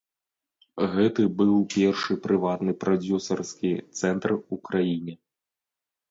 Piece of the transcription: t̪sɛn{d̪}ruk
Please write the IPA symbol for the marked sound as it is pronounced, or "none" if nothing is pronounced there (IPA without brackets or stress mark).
t̪